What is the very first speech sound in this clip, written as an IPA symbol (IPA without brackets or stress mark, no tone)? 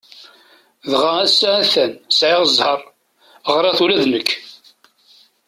ð